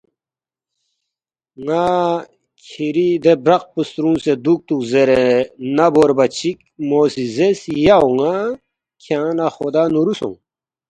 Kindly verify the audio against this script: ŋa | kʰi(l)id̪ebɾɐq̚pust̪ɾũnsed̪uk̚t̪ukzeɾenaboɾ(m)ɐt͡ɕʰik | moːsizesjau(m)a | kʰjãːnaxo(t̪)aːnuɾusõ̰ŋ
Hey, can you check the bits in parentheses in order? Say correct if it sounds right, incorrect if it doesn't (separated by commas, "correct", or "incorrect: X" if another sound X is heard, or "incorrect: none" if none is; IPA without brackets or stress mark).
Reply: incorrect: ɾ, incorrect: b, incorrect: ŋ, incorrect: d̪